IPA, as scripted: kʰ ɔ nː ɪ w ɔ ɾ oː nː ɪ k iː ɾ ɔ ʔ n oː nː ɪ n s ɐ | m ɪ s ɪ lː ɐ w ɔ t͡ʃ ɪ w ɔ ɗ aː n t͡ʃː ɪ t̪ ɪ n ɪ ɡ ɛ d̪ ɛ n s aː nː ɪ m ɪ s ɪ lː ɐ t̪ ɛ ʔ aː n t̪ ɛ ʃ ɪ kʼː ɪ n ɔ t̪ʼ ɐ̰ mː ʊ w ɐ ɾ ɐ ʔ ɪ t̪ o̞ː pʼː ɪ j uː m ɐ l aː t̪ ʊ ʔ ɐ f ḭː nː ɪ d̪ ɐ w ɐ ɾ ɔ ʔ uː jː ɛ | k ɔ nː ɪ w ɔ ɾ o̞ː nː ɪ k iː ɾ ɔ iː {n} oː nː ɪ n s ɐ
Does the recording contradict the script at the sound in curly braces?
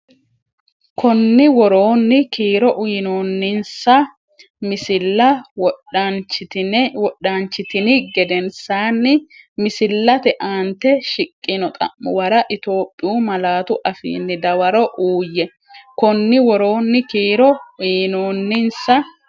no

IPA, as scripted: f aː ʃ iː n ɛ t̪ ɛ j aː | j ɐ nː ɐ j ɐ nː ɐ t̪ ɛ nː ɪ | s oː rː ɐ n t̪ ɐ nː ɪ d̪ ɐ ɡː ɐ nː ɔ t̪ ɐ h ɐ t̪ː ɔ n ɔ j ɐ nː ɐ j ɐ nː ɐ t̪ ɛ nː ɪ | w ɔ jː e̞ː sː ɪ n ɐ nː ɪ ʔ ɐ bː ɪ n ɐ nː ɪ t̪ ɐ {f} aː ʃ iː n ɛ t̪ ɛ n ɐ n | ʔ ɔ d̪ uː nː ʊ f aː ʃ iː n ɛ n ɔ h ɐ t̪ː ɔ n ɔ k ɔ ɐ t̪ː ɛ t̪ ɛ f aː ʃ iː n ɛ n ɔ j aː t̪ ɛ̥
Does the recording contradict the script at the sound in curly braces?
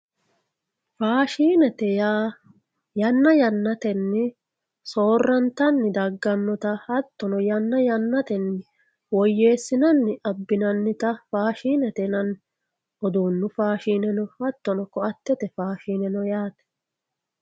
no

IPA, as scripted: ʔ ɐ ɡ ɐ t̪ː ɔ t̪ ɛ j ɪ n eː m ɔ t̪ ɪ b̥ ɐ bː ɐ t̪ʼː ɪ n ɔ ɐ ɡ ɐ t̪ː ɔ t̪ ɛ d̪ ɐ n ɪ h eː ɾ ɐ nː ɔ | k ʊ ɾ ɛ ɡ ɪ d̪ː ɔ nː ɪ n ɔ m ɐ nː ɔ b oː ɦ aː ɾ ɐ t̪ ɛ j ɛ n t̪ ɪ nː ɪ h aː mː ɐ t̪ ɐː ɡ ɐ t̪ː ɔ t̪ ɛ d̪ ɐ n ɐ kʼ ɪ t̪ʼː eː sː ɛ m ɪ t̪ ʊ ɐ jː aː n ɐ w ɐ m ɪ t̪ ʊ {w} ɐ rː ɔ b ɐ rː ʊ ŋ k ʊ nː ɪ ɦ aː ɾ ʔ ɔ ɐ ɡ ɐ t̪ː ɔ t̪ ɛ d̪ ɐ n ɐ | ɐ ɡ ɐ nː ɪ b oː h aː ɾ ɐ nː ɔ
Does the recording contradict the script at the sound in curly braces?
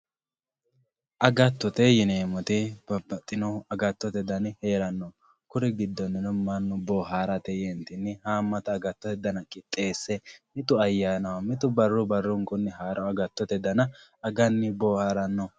yes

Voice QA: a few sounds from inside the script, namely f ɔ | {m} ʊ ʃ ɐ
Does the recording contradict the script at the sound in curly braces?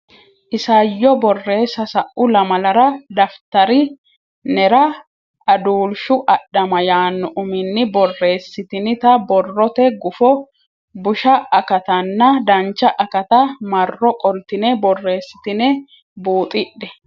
yes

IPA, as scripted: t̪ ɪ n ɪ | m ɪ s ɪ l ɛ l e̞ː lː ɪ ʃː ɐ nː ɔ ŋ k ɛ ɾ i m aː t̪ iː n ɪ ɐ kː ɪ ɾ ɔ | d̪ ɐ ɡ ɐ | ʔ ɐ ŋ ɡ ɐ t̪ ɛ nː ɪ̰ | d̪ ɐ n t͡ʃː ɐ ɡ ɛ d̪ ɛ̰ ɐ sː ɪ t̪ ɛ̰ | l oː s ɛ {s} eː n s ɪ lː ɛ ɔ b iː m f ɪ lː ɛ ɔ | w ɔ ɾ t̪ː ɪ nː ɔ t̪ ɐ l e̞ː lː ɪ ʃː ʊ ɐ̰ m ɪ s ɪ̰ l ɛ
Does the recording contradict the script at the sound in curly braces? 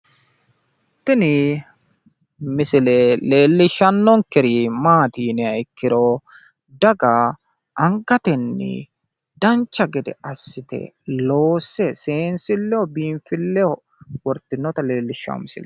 no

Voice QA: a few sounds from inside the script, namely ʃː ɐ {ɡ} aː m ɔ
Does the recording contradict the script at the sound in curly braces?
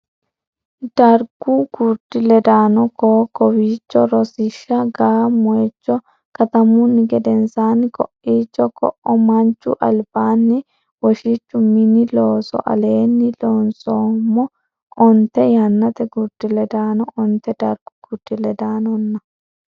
no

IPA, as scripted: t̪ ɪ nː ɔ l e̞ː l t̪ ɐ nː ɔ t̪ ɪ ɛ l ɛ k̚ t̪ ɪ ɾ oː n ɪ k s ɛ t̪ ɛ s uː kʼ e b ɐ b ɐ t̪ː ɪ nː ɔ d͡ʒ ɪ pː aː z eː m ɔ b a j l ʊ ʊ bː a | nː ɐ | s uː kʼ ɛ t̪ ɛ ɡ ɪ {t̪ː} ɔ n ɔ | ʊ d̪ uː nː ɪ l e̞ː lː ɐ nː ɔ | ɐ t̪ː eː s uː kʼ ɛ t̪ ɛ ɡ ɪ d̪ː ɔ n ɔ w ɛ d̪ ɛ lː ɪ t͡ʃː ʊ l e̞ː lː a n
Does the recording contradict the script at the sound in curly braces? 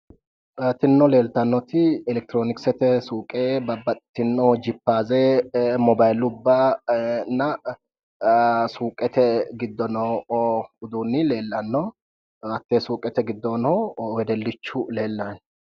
yes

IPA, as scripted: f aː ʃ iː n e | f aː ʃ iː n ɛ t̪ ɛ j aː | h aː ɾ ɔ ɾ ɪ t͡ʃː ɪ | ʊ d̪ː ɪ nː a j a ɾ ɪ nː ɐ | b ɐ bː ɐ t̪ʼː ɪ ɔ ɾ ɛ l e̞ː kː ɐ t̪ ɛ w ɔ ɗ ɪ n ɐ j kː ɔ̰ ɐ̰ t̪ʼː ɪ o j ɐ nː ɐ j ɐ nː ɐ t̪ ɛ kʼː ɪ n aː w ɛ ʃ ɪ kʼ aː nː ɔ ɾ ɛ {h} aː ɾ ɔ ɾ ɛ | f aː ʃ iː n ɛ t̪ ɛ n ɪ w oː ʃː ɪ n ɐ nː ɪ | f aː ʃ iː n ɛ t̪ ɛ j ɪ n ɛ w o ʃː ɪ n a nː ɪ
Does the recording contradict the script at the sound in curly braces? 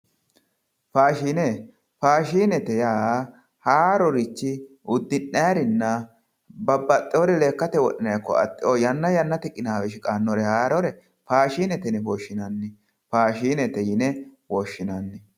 no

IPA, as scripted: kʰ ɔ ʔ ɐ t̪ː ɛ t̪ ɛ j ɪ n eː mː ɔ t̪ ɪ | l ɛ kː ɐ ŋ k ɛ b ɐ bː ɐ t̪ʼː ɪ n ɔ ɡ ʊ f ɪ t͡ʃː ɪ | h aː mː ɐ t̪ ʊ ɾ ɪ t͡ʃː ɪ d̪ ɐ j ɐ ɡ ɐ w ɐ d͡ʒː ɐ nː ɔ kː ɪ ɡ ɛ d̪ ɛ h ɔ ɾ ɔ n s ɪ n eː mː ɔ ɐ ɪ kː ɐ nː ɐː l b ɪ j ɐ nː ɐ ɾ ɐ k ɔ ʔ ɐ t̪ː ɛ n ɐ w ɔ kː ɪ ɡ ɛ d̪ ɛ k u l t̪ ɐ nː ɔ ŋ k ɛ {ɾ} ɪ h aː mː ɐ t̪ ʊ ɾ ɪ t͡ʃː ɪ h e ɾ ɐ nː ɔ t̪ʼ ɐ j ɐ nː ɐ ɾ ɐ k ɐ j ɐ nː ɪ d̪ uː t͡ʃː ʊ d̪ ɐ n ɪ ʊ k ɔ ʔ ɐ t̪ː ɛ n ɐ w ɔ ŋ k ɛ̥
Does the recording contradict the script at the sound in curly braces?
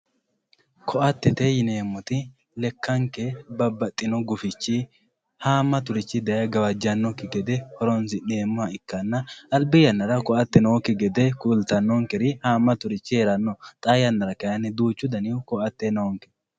no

